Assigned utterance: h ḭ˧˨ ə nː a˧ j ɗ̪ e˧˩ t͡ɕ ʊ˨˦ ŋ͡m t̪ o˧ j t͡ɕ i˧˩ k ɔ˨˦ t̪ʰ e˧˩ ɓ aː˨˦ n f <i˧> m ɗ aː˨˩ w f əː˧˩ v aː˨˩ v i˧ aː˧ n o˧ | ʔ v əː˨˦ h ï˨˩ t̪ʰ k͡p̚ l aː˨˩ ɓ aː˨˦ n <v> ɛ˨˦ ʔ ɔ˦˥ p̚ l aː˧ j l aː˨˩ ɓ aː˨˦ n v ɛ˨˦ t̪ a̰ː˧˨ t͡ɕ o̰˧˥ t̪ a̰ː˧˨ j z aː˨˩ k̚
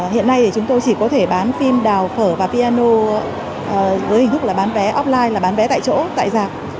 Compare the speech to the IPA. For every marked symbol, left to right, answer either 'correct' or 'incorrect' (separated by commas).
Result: correct, correct